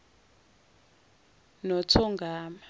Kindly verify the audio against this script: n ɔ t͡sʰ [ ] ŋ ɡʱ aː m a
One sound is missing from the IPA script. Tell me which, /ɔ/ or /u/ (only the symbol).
ɔ